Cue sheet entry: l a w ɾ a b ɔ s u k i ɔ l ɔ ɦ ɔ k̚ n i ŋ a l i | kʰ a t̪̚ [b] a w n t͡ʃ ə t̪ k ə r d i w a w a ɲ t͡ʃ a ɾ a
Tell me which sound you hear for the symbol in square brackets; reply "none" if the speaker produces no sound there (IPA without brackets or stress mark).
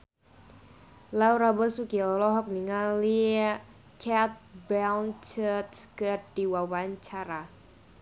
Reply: b